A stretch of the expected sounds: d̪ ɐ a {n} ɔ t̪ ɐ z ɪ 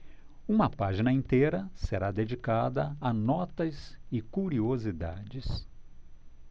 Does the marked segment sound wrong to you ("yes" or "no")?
no